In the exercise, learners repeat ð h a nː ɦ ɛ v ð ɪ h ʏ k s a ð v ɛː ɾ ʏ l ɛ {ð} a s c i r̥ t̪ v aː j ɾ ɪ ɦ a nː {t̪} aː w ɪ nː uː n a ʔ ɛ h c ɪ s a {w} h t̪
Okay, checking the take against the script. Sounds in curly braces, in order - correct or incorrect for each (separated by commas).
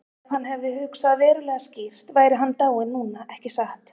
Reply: incorrect, correct, incorrect